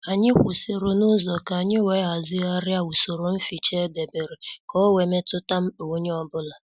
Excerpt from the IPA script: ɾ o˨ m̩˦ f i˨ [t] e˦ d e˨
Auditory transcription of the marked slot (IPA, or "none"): t͡ʃ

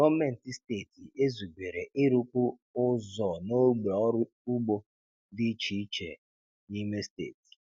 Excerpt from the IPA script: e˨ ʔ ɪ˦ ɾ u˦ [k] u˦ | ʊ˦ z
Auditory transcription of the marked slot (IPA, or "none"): k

